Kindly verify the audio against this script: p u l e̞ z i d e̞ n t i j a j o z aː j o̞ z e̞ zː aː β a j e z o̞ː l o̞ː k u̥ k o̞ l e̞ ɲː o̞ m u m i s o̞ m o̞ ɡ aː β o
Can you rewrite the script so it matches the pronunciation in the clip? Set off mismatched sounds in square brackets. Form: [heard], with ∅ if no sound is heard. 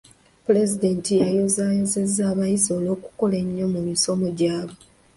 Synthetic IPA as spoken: p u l e̞ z i d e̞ n t i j a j o z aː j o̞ z e̞ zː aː β a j [i] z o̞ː l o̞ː k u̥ k o̞ l e̞ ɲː o̞ m u m i s o̞ m o̞ [ɟ] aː β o

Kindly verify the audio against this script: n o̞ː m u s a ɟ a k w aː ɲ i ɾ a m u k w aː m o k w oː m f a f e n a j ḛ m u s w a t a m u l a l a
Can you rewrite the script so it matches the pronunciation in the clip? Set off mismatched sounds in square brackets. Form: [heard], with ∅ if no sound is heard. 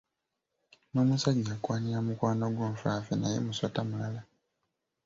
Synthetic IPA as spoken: n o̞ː m u s a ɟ a k w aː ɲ i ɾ a m u k w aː [n] o [ɡ] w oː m f a f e n a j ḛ m u s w a t a m u l a l a

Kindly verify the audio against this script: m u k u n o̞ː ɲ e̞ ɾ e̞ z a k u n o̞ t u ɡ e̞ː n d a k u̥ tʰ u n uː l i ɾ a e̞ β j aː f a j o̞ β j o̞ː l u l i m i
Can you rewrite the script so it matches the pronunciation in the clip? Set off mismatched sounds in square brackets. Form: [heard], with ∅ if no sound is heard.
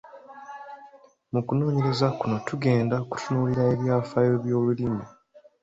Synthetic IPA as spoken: m u k u n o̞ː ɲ e̞ ɾ e̞ z a k u n o̞ t u ɡ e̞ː n d a k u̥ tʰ u n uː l i ɾ a e̞ β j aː f a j o̞ β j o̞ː l u l i m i

